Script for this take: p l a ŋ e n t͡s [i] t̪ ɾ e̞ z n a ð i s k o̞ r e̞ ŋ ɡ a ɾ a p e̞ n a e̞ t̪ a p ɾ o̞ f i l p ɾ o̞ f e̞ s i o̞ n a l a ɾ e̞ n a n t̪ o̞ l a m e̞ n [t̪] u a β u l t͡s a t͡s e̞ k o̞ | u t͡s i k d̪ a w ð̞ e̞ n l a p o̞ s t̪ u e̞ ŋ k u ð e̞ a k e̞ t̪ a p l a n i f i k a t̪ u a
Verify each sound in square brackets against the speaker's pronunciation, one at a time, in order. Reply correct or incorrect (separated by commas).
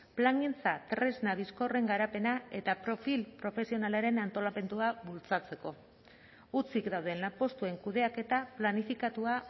incorrect, incorrect